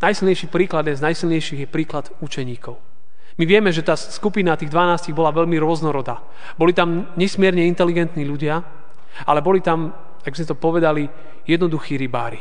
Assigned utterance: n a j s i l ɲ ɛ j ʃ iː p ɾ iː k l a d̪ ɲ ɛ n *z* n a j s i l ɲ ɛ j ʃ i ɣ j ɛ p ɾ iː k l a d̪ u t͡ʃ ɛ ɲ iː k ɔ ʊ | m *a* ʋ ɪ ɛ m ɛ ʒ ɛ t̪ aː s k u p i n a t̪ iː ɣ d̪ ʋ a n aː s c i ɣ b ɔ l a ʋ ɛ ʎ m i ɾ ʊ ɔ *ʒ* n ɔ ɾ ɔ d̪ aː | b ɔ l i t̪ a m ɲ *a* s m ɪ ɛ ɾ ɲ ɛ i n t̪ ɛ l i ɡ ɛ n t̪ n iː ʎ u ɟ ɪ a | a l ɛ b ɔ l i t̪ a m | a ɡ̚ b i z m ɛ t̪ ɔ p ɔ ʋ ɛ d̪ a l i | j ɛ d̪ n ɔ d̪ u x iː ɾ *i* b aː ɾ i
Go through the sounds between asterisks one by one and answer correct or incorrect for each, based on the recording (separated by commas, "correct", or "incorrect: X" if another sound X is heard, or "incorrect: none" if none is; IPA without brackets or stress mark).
correct, incorrect: i, incorrect: z, incorrect: ɛ, correct